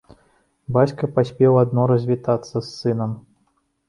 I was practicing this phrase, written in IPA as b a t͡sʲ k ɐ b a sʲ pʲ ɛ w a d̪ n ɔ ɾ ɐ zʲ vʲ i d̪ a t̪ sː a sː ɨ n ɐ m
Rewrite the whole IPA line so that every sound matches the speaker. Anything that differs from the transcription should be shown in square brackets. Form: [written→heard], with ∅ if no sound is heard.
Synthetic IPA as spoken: b a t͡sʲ k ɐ [b→p] a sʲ pʲ ɛ w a d̪ n ɔ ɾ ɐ zʲ vʲ i [d̪→t̪] a t̪ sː [a→ɐ] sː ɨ n ɐ m